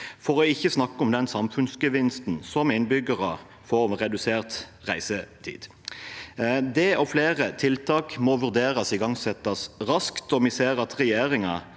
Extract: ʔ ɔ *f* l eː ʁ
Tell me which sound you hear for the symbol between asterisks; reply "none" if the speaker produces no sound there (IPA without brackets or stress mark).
f